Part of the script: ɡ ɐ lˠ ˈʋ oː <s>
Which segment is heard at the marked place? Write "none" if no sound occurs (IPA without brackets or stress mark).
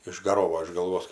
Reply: s